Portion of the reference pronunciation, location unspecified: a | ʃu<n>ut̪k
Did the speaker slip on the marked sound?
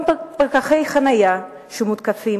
yes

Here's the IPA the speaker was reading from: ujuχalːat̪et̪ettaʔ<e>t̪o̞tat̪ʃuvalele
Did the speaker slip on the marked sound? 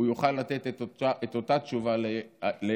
no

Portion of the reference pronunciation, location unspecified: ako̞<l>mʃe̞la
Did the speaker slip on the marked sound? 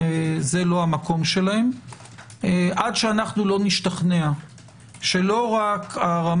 yes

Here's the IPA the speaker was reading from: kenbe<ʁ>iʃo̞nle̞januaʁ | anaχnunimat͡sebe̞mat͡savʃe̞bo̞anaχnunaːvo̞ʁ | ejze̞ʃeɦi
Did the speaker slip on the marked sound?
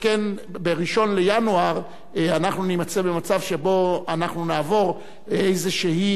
no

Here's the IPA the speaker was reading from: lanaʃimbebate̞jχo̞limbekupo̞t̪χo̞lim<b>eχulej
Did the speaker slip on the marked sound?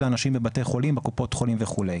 yes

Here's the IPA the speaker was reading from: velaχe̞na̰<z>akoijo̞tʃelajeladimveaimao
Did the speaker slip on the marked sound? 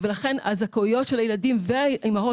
no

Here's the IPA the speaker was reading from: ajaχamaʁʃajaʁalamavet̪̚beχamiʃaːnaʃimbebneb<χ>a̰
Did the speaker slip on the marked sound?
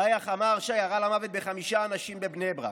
yes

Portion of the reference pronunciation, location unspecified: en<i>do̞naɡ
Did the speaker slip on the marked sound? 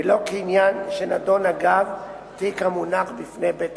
yes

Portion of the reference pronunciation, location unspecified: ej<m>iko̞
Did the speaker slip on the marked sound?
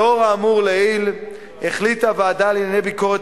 yes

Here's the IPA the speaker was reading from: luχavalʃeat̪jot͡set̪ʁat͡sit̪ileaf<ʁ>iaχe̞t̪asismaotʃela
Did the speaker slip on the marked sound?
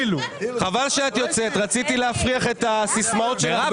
no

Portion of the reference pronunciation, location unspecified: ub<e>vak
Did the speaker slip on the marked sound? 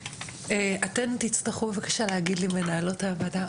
no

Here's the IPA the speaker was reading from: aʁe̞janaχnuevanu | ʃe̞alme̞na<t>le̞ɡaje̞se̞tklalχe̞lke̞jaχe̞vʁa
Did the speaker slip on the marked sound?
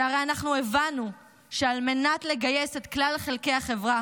no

